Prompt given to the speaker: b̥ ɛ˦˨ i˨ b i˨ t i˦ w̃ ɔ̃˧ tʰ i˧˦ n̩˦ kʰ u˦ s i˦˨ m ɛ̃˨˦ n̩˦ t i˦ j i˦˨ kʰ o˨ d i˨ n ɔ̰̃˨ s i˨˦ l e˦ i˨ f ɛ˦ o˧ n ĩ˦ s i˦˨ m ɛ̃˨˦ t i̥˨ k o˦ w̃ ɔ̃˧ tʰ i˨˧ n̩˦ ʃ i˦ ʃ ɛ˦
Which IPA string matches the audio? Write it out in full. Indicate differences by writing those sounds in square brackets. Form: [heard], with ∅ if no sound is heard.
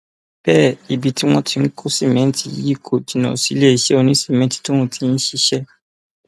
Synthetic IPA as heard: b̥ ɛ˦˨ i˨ b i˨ t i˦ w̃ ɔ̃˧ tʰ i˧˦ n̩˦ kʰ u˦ s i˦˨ m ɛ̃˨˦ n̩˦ t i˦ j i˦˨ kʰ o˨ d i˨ n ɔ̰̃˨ s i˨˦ l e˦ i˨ [ʃ] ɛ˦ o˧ n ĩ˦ s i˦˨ m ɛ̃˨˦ t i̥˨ [t] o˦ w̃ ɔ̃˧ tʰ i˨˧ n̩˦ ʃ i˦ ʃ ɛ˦